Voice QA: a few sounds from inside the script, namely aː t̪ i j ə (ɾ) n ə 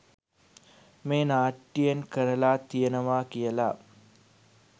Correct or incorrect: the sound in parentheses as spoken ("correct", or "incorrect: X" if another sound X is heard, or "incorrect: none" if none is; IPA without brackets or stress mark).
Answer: incorrect: none